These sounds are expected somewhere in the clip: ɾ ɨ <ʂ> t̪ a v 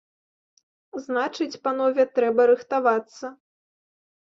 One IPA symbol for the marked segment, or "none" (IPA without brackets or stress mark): x